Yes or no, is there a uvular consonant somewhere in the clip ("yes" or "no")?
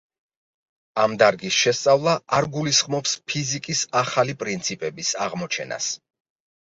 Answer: yes